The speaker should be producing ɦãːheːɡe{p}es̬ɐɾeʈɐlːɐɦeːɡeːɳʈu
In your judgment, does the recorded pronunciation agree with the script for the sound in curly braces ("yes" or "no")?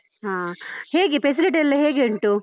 yes